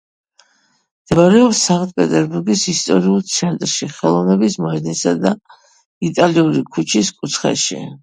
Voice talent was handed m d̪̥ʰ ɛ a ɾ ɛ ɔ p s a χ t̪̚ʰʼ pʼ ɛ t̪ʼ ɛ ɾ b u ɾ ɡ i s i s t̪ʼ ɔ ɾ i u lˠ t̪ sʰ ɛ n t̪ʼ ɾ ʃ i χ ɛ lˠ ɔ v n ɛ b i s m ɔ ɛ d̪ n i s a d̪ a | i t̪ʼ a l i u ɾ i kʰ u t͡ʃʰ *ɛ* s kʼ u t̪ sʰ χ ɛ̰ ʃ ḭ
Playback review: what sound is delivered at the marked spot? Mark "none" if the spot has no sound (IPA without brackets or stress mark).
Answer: i